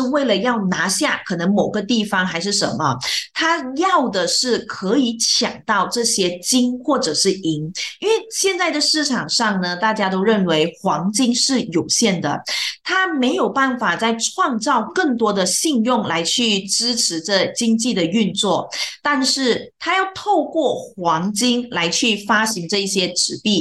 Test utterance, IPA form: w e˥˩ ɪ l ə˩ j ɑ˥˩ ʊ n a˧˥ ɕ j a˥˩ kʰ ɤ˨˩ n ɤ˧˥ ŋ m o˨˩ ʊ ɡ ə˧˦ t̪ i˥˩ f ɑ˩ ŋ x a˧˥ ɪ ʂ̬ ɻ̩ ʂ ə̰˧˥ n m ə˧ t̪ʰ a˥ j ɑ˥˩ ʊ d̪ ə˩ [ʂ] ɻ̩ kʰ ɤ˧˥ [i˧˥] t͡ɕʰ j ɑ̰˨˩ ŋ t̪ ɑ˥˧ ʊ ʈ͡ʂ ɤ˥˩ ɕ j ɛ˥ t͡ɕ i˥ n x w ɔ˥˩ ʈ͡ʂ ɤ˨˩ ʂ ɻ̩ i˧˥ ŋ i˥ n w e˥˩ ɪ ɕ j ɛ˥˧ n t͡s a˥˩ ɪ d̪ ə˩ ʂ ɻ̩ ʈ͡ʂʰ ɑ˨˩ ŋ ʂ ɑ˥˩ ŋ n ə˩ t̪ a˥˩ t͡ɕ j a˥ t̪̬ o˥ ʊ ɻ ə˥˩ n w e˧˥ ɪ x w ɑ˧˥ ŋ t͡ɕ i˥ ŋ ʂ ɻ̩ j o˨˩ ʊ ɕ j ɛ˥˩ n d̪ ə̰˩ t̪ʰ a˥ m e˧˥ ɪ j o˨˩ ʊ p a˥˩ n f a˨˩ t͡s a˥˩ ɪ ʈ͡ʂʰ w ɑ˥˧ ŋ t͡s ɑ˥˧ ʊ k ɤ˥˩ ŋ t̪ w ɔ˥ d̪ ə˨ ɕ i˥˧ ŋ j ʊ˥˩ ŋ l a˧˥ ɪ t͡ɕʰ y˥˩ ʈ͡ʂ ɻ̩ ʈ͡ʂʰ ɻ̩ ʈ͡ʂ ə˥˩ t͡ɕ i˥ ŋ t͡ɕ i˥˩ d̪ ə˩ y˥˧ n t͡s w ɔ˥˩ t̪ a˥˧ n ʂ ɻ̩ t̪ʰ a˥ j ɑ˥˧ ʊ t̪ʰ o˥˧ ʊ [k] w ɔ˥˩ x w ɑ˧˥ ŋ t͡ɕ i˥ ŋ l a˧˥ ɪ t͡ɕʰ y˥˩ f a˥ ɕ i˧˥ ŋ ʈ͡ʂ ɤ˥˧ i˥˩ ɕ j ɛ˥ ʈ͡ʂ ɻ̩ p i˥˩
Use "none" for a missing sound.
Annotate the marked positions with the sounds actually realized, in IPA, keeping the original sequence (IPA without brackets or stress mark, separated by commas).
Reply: ʂ, i˧˥, k